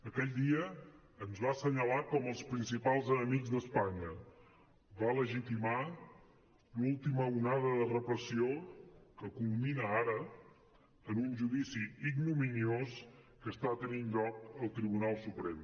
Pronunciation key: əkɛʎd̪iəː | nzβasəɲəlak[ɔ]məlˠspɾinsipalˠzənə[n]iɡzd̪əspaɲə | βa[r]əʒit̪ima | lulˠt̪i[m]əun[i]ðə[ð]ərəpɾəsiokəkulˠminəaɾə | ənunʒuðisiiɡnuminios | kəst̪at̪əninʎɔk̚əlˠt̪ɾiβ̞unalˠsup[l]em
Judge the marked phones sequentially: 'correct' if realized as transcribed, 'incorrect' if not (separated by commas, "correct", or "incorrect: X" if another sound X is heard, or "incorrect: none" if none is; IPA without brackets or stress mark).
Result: correct, incorrect: m, incorrect: l, correct, incorrect: a, correct, incorrect: ɾ